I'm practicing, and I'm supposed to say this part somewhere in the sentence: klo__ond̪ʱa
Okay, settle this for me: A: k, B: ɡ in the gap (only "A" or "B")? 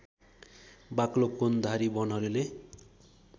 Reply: A